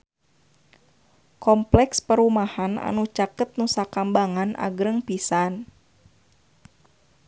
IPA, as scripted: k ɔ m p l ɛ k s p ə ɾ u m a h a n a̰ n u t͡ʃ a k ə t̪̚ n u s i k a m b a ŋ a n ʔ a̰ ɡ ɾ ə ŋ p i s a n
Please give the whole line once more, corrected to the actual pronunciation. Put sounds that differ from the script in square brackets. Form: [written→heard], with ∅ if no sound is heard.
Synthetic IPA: k ɔ m p l ɛ k s p ə ɾ u m a h a n a̰ n u t͡ʃ a k ə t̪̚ n u s [i→a] k a m b a ŋ a n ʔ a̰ ɡ ɾ ə ŋ p i s a n